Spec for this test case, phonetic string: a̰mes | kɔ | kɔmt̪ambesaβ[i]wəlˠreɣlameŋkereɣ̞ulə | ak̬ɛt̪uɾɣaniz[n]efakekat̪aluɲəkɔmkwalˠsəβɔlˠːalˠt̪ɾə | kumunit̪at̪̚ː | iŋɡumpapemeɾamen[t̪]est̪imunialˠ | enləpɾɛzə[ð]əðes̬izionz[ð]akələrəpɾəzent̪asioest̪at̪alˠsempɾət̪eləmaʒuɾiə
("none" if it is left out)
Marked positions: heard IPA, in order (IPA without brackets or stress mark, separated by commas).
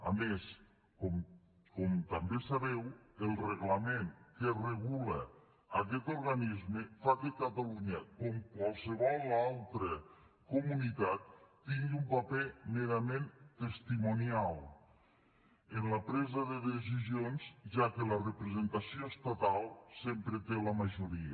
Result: ɛ, m, t̪, ð, ʒ